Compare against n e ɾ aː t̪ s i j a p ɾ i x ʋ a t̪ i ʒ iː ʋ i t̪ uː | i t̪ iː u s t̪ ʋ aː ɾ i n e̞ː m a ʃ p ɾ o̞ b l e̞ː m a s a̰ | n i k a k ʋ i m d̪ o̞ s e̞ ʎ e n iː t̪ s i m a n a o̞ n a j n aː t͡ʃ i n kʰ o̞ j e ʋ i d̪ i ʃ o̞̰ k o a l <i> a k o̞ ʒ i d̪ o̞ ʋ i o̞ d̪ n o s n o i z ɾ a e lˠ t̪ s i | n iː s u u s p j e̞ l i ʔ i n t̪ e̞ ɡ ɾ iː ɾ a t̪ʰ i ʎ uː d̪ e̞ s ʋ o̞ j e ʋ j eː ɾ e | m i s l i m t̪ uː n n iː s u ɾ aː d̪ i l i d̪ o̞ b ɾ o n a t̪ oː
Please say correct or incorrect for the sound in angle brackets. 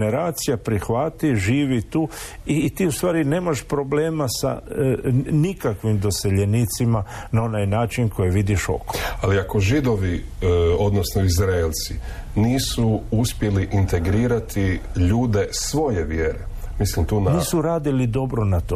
correct